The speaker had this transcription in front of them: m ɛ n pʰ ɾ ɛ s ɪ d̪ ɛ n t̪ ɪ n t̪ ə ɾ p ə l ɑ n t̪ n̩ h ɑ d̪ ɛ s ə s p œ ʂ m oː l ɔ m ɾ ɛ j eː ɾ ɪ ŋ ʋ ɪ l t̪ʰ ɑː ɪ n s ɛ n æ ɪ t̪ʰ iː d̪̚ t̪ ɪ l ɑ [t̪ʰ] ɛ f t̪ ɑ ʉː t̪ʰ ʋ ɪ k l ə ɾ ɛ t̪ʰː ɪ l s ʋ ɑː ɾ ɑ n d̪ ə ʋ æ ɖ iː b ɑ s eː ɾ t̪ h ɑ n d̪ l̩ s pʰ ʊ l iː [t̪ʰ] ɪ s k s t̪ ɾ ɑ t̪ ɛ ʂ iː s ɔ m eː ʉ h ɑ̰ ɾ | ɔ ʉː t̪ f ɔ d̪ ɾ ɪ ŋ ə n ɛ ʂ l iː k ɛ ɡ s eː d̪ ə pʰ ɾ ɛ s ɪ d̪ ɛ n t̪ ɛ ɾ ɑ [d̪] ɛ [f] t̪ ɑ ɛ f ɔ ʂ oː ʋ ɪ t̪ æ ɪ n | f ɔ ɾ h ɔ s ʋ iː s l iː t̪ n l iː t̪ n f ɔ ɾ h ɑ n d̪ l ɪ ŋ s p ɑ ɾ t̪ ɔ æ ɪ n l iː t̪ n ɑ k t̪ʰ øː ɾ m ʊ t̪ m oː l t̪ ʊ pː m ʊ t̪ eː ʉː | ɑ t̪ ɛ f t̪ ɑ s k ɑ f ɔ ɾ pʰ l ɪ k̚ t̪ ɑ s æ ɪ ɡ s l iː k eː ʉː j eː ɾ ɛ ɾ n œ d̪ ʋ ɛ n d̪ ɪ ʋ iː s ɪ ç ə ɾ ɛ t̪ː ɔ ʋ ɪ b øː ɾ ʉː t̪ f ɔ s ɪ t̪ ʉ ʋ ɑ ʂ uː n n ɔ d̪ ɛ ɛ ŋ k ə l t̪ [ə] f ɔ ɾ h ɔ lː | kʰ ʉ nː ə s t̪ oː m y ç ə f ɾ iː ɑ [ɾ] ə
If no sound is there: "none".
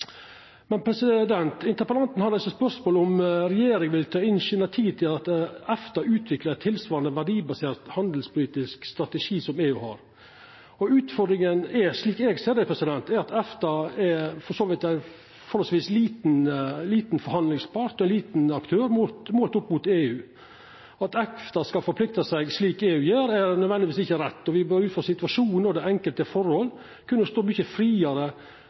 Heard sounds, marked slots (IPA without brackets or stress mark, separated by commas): t̪, t̪, t̪, f, ə, ɾ